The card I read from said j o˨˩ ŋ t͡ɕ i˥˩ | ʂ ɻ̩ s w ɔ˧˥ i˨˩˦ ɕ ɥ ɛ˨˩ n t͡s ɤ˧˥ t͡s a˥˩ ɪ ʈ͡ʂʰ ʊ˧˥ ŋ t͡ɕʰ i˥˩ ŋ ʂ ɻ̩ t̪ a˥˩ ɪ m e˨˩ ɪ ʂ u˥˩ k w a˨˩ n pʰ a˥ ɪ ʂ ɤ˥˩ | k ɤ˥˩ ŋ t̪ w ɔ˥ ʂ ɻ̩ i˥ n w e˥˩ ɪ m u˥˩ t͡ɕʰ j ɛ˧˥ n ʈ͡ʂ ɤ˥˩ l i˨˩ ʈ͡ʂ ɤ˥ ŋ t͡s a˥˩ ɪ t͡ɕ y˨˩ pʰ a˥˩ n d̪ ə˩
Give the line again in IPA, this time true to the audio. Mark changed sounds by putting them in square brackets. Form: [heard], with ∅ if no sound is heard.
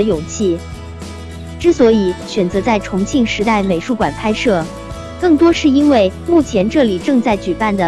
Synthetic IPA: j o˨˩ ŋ [t͡ɕʰ] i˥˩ | [ʈ͡ʂ] ɻ̩ s w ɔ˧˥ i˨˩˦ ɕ ɥ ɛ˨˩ n t͡s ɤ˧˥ t͡s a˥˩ ɪ ʈ͡ʂʰ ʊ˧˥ ŋ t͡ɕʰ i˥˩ ŋ ʂ ɻ̩ t̪ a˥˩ ɪ m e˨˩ ɪ ʂ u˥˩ k w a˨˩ n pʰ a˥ ɪ ʂ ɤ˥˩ | k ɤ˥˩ ŋ t̪ w ɔ˥ ʂ ɻ̩ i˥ n w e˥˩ ɪ m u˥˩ t͡ɕʰ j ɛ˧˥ n ʈ͡ʂ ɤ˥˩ l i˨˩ ʈ͡ʂ [ɤ˥˧] ŋ t͡s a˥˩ ɪ t͡ɕ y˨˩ [p] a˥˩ n d̪ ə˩